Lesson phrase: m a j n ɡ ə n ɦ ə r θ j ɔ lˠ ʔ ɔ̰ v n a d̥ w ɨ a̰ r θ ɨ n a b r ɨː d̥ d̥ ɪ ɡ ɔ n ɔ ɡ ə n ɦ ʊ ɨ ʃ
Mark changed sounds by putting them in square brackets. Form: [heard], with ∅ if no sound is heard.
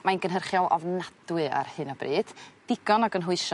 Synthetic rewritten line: m a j n ɡ ə n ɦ ə r [χ] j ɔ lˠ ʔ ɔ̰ v n a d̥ w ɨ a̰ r [h] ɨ n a b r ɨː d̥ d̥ ɪ ɡ ɔ n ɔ ɡ ə n ɦ ʊ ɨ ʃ